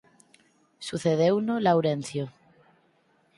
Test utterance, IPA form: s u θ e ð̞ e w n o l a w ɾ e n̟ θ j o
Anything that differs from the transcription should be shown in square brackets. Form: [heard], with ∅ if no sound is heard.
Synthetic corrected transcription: s u θ e ð̞ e w n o l a w ɾ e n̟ θ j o